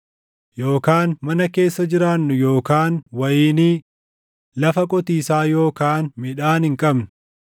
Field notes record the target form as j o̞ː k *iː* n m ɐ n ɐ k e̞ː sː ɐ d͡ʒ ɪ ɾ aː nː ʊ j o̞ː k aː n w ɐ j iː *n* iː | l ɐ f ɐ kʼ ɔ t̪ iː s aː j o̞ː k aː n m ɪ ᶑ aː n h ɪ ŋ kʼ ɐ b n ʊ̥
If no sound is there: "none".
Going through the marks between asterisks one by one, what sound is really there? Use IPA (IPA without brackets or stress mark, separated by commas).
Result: aː, n